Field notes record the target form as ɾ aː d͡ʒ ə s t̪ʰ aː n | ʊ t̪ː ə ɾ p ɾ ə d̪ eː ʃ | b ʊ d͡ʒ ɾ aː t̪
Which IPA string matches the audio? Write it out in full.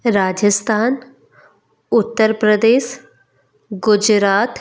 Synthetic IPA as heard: ɾ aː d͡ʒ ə s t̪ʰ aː n | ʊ t̪ː ə ɾ p ɾ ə d̪ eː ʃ | ɡ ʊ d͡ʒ ɾ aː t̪